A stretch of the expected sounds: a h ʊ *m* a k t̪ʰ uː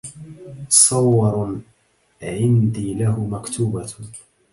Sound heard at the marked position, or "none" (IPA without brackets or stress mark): m